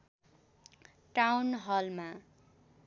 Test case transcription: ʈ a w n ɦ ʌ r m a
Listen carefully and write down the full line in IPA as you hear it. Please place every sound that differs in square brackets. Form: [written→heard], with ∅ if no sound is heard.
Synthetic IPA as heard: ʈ a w n ɦ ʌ [r→l] m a